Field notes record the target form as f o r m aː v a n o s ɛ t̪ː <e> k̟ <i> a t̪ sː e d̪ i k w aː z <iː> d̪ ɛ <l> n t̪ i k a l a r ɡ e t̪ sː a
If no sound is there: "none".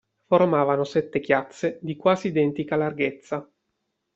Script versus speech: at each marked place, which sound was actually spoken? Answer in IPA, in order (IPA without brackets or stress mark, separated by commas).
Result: e, j, iː, none